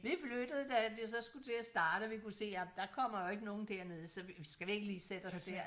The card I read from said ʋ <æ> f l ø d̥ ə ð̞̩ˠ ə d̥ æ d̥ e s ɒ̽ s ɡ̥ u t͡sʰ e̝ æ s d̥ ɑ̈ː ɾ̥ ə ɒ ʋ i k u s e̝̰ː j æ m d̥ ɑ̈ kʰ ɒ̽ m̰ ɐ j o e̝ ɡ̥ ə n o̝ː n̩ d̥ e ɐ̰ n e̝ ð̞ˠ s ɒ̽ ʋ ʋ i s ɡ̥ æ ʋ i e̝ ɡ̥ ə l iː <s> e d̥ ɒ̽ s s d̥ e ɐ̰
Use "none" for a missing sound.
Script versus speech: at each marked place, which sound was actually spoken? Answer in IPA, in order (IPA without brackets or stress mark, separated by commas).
i, s